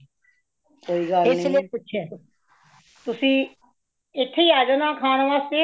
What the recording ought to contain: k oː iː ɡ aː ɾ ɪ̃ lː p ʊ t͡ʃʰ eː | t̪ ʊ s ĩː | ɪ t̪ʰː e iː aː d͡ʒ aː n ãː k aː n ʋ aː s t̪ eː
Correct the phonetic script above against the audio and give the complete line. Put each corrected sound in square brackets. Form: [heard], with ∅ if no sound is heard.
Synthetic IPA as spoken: k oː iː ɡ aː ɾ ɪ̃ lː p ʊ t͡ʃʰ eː | t̪ ʊ s ĩː | ɪ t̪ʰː e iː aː d͡ʒ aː n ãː [kʰ] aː n ʋ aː s t̪ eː